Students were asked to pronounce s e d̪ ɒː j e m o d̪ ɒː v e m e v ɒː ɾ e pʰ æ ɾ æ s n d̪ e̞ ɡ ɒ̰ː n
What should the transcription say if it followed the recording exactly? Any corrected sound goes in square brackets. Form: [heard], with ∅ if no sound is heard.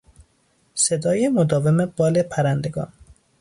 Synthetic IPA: s e d̪ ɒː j e m o d̪ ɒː v e m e [b] ɒː [l] e pʰ æ ɾ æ [∅] n d̪ e̞ ɡ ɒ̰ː n